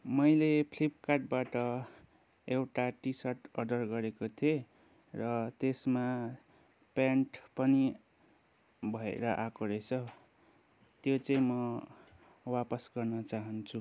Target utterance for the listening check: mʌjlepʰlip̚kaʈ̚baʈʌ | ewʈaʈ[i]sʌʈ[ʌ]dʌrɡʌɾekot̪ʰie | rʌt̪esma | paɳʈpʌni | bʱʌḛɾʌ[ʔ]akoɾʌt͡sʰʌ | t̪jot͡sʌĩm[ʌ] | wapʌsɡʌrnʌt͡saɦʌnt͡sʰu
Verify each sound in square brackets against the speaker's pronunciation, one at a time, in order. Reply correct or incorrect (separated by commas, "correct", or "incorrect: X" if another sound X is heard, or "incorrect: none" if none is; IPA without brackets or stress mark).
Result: correct, correct, correct, correct